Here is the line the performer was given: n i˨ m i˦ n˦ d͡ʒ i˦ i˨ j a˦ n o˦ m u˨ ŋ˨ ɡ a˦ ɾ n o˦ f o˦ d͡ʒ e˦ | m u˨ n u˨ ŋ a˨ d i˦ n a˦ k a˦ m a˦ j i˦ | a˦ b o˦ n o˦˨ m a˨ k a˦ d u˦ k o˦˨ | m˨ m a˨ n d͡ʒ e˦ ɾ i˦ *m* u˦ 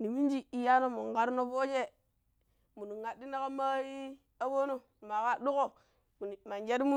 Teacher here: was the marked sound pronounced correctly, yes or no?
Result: yes